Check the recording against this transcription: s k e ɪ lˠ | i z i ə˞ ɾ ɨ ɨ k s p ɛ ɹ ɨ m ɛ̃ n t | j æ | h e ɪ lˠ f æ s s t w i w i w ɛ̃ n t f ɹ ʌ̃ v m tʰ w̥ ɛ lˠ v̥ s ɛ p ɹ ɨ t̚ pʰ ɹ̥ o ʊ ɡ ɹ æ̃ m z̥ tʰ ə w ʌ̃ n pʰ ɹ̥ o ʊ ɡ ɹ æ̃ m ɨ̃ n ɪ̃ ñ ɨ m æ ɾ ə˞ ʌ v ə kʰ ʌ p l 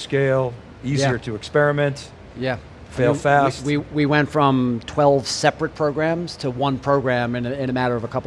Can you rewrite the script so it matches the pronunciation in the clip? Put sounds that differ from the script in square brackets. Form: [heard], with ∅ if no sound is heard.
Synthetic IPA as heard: s k e ɪ lˠ | i z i ə˞ ɾ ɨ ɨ k s p ɛ ɹ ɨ m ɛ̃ n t | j æ | [f] e ɪ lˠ f æ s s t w i w i w ɛ̃ n t f ɹ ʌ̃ [∅] m tʰ w̥ ɛ lˠ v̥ s ɛ p ɹ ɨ t̚ pʰ ɹ̥ o ʊ ɡ ɹ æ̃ m z̥ tʰ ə w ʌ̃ n pʰ ɹ̥ o ʊ ɡ ɹ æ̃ m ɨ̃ n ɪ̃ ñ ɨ m æ ɾ ə˞ ʌ v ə kʰ ʌ p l

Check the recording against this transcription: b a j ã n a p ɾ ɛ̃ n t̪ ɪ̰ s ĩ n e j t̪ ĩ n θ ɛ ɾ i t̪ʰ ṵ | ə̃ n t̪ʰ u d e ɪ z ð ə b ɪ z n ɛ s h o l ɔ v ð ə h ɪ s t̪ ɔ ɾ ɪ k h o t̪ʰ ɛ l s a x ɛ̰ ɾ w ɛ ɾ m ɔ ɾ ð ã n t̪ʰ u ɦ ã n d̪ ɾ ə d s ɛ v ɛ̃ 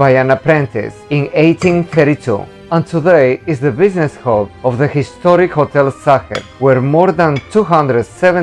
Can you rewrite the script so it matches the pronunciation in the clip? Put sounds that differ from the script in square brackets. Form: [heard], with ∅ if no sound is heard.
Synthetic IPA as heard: b a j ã n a p ɾ ɛ̃ n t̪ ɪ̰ s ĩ n e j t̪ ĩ n θ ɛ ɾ i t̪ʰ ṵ | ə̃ n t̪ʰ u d e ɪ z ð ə b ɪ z n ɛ s h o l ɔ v ð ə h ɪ s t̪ ɔ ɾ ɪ k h o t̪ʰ ɛ l s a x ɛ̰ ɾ w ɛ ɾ m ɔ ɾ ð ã n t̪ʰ u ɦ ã n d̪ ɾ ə d s ɛ v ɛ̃

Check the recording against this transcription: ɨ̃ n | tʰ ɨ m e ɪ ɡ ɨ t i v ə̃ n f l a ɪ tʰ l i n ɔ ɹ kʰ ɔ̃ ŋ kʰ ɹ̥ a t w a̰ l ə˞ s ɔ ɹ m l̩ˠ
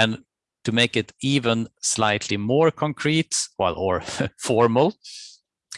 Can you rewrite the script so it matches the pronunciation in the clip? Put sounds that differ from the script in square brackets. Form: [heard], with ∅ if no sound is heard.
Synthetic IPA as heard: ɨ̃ n | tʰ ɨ m e ɪ [k] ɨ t i v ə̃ n [s] l a ɪ tʰ l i [m] ɔ ɹ kʰ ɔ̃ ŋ kʰ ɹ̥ [i] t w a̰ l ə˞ [f] ɔ ɹ m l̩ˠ

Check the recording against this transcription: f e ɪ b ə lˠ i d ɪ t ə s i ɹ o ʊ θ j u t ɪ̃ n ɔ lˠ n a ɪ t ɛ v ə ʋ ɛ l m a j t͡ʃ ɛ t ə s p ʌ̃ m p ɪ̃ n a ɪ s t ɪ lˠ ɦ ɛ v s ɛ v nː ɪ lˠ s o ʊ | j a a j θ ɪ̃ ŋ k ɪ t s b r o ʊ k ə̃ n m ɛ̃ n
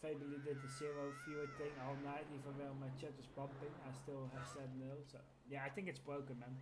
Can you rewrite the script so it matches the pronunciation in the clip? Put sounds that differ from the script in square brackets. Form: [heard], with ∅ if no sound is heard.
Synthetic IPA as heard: f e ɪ b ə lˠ i d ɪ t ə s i ɹ o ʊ [f] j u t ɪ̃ [ŋ] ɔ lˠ n a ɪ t [i] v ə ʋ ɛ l m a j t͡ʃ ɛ t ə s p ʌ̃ m p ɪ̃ [ŋ] a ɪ s t ɪ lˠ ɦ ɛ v s ɛ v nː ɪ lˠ s o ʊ | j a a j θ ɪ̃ ŋ k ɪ t s b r o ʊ k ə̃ n m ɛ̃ n

